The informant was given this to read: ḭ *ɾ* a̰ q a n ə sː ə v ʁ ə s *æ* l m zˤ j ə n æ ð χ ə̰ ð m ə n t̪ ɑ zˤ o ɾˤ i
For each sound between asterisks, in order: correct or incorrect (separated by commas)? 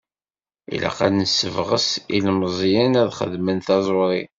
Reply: incorrect, incorrect